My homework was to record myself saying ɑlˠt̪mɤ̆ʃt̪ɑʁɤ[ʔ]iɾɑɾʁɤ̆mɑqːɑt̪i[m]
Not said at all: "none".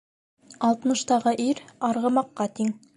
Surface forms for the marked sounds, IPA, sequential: ʔ, ŋ

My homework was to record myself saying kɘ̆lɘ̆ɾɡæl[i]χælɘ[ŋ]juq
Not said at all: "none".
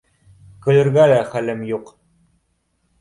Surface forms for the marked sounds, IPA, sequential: æ, m

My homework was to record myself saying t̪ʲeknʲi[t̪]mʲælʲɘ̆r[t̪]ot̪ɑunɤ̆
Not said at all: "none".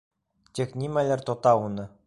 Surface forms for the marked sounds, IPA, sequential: none, t̪

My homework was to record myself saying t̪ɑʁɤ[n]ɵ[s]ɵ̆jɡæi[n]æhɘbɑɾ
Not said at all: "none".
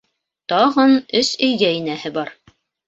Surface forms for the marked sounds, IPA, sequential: n, s, n

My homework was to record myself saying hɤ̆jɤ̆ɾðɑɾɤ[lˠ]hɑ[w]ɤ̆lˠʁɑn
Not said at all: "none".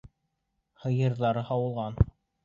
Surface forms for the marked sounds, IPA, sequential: none, w

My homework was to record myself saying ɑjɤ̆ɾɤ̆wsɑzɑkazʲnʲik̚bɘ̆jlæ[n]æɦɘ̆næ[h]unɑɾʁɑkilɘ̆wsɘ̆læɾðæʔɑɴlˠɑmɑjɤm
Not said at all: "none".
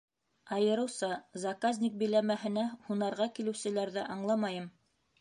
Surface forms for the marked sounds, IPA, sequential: m, h

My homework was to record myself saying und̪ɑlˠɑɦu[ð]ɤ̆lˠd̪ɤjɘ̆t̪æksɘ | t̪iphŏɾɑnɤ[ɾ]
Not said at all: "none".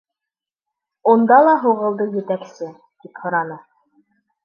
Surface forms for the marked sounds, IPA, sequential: ʁ, none

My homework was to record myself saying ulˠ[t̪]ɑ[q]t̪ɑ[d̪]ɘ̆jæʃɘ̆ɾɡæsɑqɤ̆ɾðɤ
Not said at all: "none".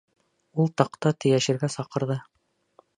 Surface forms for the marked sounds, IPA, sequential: t̪, q, t̪

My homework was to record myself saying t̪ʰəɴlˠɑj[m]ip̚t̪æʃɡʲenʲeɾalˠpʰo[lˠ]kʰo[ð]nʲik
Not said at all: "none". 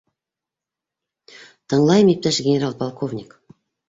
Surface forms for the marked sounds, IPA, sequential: m, lˠ, v

